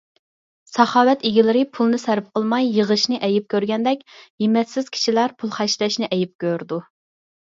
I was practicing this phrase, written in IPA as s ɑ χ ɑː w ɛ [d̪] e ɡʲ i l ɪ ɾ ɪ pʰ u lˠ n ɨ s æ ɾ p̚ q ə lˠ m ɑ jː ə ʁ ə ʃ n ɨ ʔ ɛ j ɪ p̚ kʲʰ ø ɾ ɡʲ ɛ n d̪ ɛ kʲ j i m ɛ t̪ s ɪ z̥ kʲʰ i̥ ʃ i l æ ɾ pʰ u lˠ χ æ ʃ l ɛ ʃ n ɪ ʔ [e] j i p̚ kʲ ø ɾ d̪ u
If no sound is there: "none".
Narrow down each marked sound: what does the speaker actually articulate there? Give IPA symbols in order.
t̪, ɛ

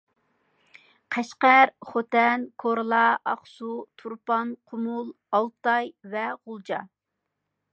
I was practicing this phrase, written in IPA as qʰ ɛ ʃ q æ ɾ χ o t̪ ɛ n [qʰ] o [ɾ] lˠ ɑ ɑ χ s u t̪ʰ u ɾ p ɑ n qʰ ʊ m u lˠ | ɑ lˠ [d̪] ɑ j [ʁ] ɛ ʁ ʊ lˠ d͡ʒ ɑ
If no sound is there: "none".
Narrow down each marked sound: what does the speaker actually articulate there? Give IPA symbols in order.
kʰ, ɾ, t̪, v

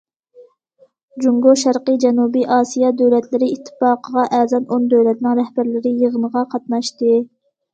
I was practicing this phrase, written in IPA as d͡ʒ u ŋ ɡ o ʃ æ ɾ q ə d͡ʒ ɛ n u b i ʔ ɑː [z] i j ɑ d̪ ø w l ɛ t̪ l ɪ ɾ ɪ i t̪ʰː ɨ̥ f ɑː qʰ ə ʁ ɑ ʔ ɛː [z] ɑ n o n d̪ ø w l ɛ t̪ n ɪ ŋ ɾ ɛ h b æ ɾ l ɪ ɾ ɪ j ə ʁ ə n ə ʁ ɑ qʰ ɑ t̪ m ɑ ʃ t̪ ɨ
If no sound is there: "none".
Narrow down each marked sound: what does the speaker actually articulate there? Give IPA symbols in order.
s, z

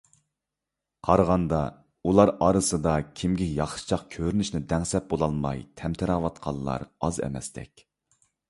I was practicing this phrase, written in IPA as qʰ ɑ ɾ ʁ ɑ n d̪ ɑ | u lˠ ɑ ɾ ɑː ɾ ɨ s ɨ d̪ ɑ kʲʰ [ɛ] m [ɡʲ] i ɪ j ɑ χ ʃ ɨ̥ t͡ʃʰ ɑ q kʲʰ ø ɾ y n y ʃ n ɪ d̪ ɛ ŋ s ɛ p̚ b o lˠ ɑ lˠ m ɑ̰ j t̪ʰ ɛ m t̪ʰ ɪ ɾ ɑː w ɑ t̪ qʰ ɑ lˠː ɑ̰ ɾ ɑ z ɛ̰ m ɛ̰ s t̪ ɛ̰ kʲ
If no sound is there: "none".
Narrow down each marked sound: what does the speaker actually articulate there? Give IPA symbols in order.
i, ɡʲ

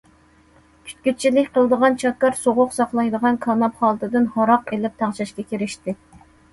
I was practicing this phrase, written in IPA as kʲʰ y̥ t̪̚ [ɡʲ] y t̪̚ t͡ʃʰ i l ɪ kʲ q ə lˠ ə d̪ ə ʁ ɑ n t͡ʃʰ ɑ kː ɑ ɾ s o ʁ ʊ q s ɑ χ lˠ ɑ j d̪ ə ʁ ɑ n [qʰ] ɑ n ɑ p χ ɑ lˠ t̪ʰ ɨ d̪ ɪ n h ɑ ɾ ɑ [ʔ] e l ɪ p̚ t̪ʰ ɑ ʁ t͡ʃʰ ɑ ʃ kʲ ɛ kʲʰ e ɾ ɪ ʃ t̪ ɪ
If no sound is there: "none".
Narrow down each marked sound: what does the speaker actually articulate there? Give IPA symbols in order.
kʲ, kʰ, q

